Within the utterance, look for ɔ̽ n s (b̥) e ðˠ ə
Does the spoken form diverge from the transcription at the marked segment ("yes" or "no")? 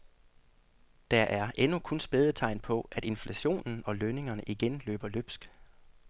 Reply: no